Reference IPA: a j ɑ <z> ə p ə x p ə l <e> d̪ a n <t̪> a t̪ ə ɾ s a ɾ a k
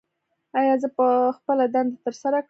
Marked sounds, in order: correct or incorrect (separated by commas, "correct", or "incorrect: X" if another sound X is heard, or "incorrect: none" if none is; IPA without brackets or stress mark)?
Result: correct, incorrect: a, incorrect: d̪